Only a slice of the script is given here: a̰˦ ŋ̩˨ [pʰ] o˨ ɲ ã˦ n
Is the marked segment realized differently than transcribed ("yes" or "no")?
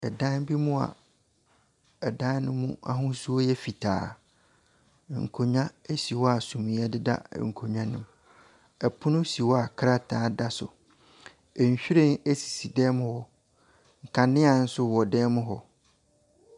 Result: yes